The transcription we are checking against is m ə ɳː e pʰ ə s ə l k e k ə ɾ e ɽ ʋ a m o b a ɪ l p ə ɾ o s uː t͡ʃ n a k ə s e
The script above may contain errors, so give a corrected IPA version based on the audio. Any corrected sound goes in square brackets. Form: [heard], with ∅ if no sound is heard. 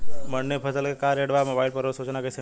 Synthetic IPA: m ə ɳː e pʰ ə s ə l k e k [a] ɾ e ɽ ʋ a m o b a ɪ l p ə ɾ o s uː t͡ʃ n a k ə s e

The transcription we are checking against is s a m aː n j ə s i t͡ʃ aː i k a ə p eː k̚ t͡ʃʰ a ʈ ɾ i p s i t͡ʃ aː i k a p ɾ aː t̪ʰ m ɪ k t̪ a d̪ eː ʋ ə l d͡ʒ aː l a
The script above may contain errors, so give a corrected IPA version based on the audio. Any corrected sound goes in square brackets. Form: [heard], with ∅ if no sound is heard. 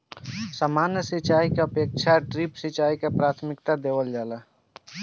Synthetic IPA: s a m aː n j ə s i t͡ʃ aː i k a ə p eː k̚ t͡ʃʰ a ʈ ɾ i p s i t͡ʃ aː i k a p ɾ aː t̪ʰ m ɪ k t̪ a d̪ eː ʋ ə l d͡ʒ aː l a

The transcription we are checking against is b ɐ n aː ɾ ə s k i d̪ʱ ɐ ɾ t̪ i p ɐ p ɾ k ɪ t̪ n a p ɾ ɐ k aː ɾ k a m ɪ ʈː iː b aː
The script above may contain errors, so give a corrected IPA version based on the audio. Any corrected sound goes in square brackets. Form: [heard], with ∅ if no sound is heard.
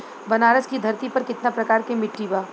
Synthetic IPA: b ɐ n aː ɾ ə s k i d̪ʱ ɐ ɾ t̪ i p ɐ [∅] ɾ k ɪ t̪ n a p ɾ ɐ k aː ɾ k [e] m ɪ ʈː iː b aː

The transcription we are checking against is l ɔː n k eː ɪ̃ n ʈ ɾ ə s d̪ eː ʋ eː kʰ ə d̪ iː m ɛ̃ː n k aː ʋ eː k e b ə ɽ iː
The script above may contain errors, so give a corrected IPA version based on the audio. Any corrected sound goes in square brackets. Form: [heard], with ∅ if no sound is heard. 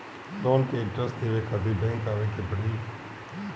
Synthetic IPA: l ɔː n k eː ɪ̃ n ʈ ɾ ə s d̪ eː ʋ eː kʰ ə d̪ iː [b] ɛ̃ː [ŋ] k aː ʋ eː k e b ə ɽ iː

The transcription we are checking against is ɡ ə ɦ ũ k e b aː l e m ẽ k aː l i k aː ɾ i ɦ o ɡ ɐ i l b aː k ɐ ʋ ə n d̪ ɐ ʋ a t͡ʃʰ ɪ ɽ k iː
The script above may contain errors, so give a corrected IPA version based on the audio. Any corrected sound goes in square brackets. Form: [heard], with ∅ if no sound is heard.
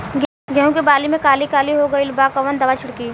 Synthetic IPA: ɡ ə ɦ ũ k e b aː l [i] m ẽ k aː l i k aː [l] i ɦ o ɡ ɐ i l b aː k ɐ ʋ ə n d̪ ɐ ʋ a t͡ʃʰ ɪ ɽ k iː

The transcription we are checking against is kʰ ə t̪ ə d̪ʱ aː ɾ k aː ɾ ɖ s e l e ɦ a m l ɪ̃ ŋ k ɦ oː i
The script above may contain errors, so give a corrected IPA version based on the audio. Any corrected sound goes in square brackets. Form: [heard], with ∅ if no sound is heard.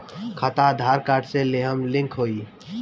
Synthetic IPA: kʰ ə t̪ [a] d̪ʱ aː ɾ k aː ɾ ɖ s e l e ɦ [ə] m l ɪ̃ ŋ k ɦ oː i

